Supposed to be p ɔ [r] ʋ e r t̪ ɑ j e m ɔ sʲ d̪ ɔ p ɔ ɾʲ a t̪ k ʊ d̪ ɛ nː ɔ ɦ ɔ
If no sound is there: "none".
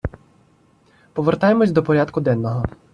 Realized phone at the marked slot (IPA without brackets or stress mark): none